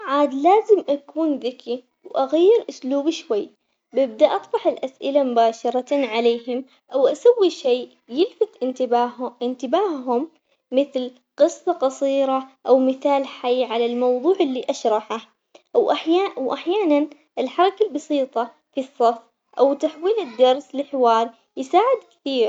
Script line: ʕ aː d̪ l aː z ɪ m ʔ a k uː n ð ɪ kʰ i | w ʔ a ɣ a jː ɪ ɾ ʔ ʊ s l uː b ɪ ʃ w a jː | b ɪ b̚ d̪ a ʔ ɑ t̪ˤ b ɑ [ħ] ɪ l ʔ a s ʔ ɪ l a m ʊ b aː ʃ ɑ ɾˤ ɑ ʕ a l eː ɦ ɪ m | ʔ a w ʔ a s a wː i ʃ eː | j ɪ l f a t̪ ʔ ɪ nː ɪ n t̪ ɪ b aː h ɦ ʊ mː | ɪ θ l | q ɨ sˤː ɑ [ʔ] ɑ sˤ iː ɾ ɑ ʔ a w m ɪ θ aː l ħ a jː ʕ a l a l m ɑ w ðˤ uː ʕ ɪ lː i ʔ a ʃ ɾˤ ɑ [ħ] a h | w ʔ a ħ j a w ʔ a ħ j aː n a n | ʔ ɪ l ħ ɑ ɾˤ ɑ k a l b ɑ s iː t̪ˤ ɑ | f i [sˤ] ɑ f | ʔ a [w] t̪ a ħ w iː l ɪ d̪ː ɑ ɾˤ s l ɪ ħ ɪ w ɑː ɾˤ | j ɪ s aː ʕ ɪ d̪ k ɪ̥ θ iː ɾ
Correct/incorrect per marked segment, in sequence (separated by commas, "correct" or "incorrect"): correct, incorrect, correct, incorrect, correct